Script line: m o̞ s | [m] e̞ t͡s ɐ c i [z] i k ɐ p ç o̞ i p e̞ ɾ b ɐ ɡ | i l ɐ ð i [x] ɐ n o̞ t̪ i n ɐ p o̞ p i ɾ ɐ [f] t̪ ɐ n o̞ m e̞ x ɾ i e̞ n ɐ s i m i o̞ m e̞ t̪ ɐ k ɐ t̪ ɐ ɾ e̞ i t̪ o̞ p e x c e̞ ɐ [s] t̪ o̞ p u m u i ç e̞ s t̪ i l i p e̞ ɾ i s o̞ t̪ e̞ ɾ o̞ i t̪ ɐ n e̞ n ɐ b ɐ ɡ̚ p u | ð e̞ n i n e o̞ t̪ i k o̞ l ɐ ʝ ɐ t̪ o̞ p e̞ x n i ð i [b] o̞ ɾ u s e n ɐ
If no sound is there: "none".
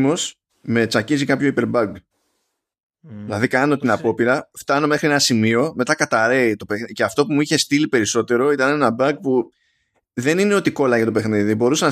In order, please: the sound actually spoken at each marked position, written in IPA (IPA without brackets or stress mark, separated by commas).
m, z, k, f, f, b